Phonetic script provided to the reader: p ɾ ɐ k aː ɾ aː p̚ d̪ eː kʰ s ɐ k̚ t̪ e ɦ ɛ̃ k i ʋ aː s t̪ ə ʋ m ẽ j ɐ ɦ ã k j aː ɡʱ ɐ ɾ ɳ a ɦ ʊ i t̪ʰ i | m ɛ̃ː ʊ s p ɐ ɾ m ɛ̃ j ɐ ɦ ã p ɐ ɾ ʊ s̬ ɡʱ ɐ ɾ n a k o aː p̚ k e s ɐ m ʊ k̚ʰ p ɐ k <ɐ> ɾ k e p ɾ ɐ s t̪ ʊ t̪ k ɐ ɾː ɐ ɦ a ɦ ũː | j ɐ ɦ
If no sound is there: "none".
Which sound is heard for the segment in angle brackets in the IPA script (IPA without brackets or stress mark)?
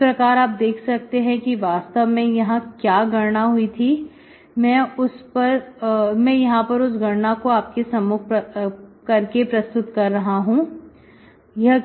ɐ